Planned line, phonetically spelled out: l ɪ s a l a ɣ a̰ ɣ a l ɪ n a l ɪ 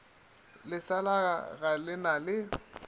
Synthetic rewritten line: l ɪ s a l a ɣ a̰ ɣ a l ɪ n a l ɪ